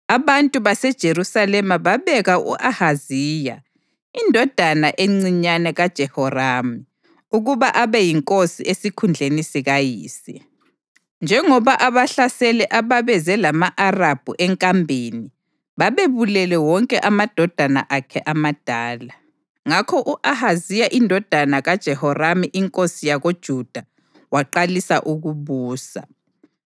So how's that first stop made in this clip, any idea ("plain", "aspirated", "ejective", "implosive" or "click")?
ejective